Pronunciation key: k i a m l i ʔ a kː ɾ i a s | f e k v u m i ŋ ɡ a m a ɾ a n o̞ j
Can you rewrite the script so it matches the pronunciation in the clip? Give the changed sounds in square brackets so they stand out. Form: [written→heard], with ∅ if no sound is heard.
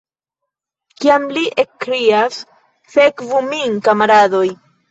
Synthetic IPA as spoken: k i a m l i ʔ [a→e] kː ɾ i a s | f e k v u m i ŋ [ɡ→k] a m a ɾ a [n→d] o̞ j